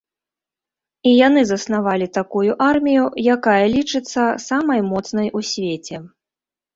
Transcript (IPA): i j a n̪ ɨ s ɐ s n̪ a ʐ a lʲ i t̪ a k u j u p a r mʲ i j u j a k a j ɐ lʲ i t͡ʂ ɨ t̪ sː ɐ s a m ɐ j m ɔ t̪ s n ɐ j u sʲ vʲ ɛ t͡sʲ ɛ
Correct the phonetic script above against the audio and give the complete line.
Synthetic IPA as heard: i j a n̪ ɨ z ɐ s n̪ a v a lʲ i t̪ a k u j u ʔ a r mʲ i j u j a k a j ɐ lʲ i t͡ʂ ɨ t̪ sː ɐ s a m ɐ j m ɔ t̪ s n ɐ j u sʲ vʲ e t͡sʲ ɛ

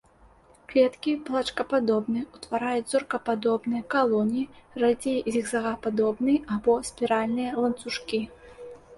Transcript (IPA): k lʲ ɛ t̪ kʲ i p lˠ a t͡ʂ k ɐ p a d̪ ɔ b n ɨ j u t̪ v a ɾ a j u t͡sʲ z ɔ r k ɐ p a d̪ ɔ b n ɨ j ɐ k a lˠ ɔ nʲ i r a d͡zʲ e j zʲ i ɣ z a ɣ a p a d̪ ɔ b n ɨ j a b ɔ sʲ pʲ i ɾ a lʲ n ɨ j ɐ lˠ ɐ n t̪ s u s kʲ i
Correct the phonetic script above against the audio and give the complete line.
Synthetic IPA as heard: k lʲ ɛ t̪ kʲ i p lˠ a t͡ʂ k ɐ p a d̪ ɔ b n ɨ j u t̪ v a ɾ a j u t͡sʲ z ɔ r k ɐ p a d̪ ɔ b n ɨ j ɐ k a lˠ ɔ nʲ i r a d͡zʲ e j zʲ i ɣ z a ɣ a p a d̪ ɔ b n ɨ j a b ɔ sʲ pʲ i ɾ a lʲ n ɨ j ɐ lˠ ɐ n t̪ s u ʂ kʲ i

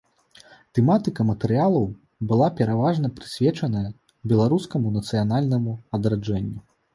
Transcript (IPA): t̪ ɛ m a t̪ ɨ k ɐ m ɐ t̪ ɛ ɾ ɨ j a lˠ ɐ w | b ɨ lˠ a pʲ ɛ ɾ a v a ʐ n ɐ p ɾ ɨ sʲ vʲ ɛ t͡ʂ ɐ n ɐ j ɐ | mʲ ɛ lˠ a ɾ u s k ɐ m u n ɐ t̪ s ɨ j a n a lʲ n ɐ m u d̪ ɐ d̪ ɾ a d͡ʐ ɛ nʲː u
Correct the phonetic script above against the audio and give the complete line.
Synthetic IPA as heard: t̪ ɛ m a t̪ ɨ k ɐ m ɐ t̪ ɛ ɾ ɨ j a lˠ ɐ w | b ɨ lˠ a pʲ ɛ ɾ a v a ʐ n ɐ p ɾ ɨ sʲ vʲ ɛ t͡ʂ ɐ n ɐ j ɐ | bʲ ɛ lˠ a ɾ u s k ɐ m u n ɐ t̪ s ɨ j a n a lʲ n ɐ m u ɐ d̪ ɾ a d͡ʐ ɛ nʲː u

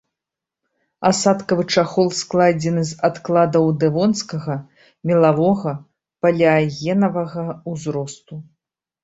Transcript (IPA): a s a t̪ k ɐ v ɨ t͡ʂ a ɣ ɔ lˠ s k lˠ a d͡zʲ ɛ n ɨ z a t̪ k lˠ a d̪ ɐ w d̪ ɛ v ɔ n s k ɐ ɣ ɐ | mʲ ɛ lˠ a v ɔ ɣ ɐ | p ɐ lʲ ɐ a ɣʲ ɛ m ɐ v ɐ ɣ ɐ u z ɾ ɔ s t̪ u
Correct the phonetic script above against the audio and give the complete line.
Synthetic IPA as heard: a s a t̪ k ɐ v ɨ t͡ʂ a x ɔ lˠ s k lˠ a d͡zʲ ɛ n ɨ z a t̪ k lˠ a d̪ ɐ w d̪ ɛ v ɔ n s k ɐ ɣ ɐ | mʲ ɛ lˠ a v ɔ ɣ ɐ | p ɐ lʲ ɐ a ɣʲ ɛ n ɐ v ɐ ɣ ɐ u z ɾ ɔ s t̪ u

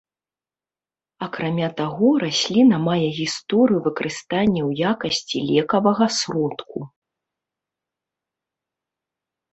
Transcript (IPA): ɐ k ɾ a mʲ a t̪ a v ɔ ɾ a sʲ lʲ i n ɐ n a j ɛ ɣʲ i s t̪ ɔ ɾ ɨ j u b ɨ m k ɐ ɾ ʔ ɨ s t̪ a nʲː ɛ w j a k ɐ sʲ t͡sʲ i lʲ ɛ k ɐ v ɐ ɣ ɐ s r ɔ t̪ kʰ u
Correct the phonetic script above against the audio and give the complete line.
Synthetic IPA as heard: ɐ k ɾ a mʲ a t̪ a ɣ ɔ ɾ a sʲ lʲ i n ɐ m a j ɛ ɣʲ i s t̪ ɔ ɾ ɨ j u v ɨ k ɐ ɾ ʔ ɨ s t̪ a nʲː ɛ w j a k ɐ sʲ t͡sʲ i lʲ ɛ k ɐ v ɐ ɣ ɐ s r ɔ t̪ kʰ u

